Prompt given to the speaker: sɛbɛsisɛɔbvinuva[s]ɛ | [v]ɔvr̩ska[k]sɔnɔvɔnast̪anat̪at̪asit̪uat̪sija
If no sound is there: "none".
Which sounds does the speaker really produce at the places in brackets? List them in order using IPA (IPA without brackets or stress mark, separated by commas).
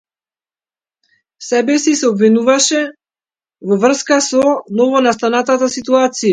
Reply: ʃ, v, none